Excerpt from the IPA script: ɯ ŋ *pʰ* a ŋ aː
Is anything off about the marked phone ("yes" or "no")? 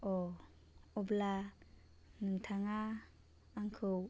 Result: yes